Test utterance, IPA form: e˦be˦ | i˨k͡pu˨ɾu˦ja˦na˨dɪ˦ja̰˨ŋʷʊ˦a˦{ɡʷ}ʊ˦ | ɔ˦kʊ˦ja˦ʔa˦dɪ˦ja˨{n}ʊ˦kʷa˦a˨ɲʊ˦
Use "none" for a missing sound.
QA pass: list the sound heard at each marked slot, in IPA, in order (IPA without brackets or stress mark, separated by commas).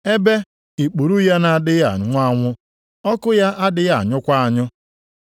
ŋʷ, ɲ